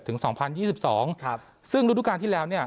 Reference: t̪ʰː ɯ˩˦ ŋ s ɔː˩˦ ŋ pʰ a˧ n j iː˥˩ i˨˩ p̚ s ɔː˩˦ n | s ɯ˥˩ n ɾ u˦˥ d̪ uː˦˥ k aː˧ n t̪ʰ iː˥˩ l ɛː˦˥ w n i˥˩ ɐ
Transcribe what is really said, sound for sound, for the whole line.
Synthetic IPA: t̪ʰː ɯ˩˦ ŋ s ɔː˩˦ ŋ pʰ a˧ n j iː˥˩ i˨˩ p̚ s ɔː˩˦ ŋ | s ɯ˥˩ ŋ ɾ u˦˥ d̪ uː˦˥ k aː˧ n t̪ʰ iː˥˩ l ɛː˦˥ w n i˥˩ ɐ